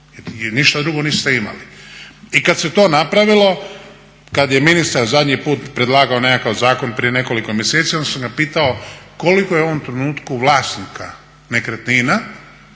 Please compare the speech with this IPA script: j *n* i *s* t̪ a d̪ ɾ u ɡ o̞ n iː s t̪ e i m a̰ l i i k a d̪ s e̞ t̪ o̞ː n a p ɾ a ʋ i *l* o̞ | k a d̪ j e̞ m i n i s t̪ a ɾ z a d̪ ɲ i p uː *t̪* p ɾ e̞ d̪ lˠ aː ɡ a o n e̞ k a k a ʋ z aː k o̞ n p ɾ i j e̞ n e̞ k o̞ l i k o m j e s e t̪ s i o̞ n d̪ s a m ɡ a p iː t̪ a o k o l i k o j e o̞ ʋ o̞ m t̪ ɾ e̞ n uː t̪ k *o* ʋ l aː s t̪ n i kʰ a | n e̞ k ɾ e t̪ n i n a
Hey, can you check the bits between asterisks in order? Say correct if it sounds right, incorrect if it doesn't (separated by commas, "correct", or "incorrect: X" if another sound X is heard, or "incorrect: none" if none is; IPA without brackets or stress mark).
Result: correct, incorrect: ʃ, correct, correct, incorrect: u